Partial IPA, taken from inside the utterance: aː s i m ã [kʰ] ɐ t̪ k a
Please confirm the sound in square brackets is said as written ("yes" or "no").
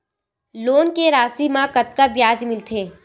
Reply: no